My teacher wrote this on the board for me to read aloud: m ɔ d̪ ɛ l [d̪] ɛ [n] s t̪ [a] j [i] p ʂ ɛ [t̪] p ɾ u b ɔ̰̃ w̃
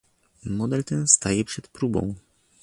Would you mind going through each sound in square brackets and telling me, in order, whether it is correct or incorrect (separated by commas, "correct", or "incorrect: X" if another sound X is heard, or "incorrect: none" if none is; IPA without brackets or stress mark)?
incorrect: t̪, correct, correct, incorrect: ɛ, correct